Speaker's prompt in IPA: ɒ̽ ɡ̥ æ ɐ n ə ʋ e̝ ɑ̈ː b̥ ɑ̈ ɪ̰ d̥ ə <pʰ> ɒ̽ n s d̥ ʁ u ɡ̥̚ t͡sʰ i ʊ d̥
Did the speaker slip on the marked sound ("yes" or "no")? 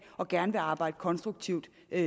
yes